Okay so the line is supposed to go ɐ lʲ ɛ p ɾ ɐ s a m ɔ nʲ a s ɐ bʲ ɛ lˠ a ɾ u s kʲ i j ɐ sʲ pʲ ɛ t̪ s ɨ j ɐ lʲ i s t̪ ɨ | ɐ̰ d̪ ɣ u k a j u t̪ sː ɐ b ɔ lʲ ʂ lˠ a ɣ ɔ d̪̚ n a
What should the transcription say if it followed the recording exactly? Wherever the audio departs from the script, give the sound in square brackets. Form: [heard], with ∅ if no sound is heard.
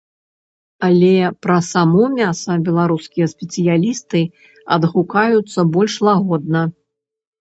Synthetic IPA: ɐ lʲ ɛ p ɾ ɐ s a m ɔ [mʲ] a s ɐ bʲ ɛ lˠ a ɾ u s kʲ i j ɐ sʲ pʲ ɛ t̪ s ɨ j [a] lʲ i s t̪ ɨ | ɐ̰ d̪ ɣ u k a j u t̪ sː ɐ b ɔ lʲ ʂ lˠ a ɣ ɔ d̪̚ n [ɐ]